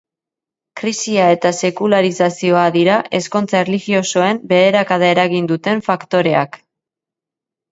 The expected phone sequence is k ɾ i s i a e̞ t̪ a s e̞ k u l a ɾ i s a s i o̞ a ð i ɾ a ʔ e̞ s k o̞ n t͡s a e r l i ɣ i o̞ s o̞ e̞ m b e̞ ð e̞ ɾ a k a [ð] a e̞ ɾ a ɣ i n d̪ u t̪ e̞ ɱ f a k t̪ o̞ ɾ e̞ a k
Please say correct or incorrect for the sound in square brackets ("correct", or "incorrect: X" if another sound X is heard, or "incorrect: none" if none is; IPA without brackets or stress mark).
correct